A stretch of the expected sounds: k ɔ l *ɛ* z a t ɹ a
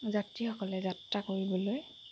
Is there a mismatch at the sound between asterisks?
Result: no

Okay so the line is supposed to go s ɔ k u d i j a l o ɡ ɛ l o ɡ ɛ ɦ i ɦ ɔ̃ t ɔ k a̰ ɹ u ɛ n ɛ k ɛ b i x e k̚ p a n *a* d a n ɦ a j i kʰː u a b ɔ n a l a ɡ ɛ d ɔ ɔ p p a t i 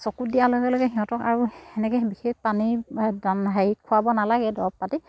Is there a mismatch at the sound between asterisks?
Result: yes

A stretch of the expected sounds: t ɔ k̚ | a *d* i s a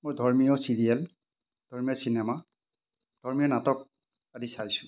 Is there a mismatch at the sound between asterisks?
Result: no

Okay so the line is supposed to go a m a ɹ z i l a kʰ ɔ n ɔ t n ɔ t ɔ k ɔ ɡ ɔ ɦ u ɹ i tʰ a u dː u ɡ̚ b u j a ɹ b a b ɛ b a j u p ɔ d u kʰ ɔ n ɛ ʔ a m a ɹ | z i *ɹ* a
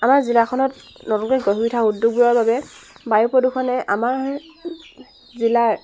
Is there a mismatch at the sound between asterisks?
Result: yes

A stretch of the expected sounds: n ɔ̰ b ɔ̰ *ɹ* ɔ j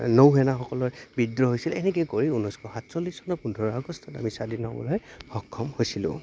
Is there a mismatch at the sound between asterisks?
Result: yes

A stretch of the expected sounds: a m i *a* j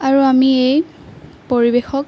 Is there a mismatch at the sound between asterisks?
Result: yes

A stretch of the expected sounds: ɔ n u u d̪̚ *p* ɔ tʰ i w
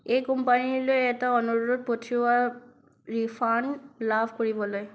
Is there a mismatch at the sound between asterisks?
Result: no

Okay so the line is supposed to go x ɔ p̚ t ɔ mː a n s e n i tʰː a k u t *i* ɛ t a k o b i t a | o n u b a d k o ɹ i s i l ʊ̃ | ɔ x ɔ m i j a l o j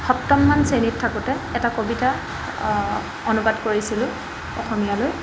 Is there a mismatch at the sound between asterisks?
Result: yes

